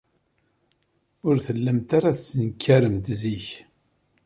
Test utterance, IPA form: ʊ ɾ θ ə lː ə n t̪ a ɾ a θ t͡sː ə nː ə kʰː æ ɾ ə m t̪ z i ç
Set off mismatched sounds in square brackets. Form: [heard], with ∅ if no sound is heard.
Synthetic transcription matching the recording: ʊ ɾ θ ə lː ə [m] t̪ a ɾ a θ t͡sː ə [n] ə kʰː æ ɾ ə m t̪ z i ç